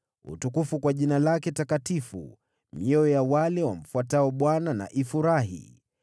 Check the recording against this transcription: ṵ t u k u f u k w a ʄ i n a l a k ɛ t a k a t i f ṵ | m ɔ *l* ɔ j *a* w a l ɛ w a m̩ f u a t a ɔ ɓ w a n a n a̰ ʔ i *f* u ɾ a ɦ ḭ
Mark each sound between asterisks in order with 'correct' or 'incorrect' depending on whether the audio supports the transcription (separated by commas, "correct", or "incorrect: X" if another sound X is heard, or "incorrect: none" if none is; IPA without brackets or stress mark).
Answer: incorrect: none, correct, correct